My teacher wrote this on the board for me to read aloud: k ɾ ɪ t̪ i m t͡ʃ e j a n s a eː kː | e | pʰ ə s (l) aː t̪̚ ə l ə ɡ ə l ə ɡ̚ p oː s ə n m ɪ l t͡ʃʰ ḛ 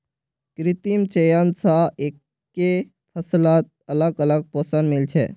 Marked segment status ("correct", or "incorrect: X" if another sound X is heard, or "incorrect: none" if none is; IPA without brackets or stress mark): correct